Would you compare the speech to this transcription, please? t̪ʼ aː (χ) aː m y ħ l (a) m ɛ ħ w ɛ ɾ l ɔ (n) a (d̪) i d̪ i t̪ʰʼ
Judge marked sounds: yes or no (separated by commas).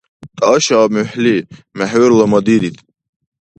no, no, no, yes